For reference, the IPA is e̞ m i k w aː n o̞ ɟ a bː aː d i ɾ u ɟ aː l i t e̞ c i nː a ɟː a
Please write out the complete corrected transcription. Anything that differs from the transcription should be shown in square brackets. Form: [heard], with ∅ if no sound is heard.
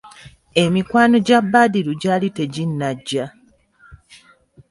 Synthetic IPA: e̞ m i k w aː n o̞ ɟ a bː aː d i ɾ u ɟ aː l i t e̞ [ɟ] i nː a ɟː a